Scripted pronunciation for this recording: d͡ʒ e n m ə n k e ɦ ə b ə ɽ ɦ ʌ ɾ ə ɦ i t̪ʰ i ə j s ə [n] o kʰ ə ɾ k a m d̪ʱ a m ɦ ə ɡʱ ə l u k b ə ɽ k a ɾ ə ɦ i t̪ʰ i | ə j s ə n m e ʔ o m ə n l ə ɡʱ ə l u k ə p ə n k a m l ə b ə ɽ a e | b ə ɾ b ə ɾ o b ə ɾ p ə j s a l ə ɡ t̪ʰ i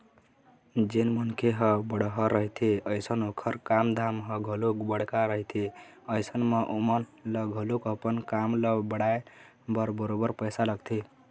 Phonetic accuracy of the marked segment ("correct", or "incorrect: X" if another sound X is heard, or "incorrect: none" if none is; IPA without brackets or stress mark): correct